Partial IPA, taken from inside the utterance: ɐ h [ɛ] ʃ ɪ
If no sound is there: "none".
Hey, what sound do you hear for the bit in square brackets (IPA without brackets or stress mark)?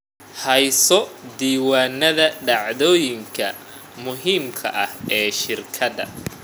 ɛː